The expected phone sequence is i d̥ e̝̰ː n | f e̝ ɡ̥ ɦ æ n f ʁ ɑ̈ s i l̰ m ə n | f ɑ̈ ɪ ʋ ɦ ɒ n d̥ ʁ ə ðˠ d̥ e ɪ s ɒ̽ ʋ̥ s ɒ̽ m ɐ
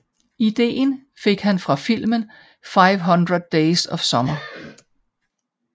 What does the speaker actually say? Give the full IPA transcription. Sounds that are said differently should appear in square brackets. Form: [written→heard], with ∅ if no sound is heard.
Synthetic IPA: i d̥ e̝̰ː n | f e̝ ɡ̥ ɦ æ n f ʁ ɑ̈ [s→f] i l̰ m ə n | f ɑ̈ ɪ ʋ ɦ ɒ n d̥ ʁ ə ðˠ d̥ e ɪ s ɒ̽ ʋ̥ s ɒ̽ m ɐ